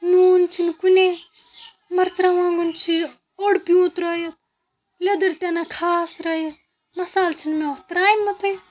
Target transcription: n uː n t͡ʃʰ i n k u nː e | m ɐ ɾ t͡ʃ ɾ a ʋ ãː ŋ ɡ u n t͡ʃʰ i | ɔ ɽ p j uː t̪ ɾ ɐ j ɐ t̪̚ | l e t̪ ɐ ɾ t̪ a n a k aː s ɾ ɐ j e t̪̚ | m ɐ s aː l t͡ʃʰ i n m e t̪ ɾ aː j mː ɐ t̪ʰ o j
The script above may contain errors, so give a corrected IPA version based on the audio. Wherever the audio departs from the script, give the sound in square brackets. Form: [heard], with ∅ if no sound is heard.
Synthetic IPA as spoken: n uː n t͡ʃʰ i n k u [n] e | m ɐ ɾ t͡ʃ ɾ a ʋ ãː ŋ ɡ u n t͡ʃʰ i | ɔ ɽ p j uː t̪ ɾ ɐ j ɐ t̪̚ | l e [d̪] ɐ ɾ t̪ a n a [kʰ] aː s ɾ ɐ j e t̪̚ | m ɐ s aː l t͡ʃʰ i n m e t̪ ɾ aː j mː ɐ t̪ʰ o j